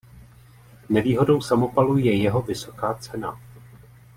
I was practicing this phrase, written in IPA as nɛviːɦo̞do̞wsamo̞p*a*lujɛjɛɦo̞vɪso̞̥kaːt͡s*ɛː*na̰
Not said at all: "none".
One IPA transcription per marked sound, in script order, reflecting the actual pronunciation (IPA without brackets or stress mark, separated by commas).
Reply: a, ɛ